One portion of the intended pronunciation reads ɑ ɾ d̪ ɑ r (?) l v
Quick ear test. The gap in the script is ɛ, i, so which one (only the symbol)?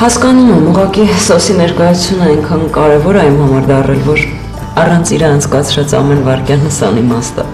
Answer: ɛ